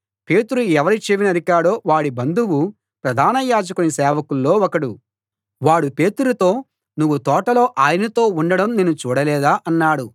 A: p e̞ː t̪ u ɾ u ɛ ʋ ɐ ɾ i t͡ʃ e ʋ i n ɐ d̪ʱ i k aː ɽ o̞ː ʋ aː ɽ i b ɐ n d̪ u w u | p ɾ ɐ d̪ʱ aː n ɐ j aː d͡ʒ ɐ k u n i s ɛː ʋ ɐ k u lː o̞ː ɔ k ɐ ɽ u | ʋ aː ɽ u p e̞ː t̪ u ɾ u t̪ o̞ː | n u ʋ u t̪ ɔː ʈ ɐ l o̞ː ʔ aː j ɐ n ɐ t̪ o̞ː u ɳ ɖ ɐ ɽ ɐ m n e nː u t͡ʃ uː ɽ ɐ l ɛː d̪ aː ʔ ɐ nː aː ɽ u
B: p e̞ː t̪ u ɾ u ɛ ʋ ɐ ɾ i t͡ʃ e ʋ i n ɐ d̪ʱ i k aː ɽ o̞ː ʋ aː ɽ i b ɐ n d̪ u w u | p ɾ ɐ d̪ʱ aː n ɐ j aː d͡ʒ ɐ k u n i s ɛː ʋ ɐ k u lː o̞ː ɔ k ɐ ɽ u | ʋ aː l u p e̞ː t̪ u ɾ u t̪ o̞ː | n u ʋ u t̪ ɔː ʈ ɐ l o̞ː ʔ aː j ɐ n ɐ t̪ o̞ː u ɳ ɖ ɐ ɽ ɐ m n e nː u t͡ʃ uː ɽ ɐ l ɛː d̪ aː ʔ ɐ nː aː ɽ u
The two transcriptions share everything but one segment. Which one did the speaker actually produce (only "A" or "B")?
A